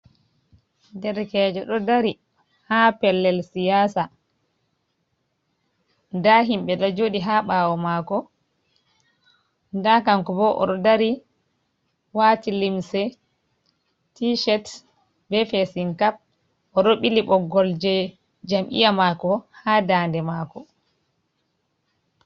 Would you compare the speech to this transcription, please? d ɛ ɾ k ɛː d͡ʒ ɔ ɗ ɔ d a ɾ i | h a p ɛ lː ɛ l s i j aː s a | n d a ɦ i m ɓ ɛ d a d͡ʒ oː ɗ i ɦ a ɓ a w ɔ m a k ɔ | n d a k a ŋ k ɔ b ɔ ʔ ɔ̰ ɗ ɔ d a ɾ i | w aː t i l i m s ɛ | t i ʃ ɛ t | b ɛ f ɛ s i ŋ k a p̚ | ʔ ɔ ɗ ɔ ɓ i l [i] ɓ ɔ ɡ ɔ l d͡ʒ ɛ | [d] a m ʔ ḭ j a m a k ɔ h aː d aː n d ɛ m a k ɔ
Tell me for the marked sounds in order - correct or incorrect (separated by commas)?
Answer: correct, incorrect